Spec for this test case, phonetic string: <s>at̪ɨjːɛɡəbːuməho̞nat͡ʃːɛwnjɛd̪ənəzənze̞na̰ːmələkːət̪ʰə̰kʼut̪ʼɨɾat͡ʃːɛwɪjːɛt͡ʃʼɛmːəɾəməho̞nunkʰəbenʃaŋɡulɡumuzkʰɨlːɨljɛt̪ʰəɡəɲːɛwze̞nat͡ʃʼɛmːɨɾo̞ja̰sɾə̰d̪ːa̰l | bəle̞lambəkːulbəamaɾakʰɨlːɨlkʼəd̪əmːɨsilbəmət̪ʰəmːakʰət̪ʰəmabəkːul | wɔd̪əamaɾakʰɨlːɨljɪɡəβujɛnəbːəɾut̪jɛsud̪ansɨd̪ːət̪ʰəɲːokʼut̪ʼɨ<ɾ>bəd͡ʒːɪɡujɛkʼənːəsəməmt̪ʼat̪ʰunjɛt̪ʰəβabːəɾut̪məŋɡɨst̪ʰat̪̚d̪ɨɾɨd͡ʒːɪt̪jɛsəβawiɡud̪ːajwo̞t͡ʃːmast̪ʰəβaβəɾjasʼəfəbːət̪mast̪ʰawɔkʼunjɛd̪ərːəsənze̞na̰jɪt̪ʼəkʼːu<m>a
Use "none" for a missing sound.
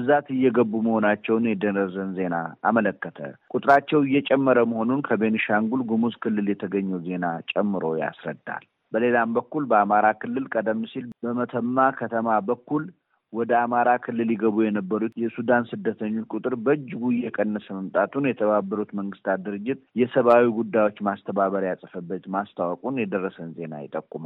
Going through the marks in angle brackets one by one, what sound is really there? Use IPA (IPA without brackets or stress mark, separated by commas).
z, ɾ, m